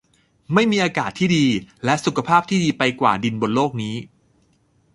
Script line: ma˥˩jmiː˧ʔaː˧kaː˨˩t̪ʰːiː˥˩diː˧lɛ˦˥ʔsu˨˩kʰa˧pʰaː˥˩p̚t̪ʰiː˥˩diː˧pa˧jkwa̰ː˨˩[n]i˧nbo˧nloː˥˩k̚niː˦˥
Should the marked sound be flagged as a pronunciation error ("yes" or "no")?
yes